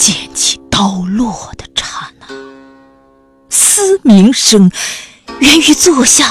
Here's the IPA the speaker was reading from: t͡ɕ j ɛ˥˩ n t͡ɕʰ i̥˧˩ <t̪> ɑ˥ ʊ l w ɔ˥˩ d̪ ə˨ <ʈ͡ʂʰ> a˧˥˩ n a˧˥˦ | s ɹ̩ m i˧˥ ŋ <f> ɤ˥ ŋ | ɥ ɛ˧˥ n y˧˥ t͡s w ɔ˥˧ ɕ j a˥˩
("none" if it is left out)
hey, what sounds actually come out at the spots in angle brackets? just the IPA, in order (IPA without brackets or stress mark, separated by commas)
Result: t̪, ʈ͡ʂʰ, ʂ